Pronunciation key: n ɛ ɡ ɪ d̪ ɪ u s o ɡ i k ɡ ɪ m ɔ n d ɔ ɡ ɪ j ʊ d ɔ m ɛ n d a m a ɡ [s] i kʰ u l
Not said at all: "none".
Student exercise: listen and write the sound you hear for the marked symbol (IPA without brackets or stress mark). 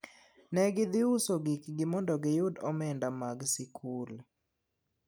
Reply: s